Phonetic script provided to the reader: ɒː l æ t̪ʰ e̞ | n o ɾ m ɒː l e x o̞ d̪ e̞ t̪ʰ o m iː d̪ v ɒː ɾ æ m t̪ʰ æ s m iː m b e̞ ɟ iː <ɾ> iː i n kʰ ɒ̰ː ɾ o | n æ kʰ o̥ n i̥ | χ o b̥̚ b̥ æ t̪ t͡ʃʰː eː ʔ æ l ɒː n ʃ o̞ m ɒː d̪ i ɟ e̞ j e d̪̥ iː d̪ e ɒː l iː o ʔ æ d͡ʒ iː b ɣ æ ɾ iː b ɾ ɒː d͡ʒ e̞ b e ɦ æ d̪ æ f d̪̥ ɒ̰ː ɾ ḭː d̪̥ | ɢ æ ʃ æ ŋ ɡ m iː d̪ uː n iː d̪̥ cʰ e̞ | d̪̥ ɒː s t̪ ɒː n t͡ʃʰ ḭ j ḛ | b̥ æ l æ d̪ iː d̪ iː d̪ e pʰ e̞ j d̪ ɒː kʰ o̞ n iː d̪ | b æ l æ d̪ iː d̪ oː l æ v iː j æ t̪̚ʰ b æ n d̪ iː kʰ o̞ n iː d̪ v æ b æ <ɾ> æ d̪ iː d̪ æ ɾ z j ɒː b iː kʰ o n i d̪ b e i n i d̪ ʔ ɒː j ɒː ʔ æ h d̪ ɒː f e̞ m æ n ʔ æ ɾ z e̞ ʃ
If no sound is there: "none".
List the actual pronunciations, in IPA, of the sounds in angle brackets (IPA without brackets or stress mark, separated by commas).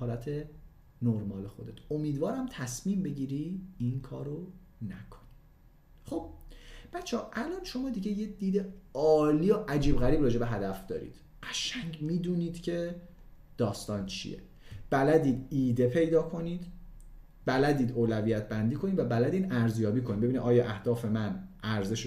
ɾ, l